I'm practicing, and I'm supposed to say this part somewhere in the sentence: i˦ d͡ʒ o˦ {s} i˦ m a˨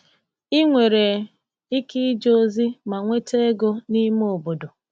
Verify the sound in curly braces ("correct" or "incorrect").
incorrect